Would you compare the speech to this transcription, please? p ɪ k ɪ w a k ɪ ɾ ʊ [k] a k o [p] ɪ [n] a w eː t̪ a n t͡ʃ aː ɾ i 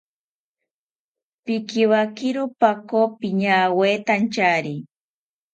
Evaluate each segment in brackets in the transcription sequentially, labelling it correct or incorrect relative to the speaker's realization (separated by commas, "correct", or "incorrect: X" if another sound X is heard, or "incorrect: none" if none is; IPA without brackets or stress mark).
incorrect: p, correct, incorrect: ɲ